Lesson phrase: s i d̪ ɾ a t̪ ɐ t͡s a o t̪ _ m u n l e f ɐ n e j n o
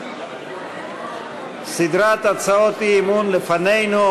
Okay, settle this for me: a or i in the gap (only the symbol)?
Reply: i